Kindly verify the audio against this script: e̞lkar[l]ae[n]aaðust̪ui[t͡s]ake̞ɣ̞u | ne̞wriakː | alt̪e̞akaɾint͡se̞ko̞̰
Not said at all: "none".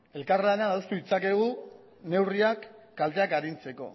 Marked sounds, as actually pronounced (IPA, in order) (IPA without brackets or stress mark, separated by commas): l, n, t͡s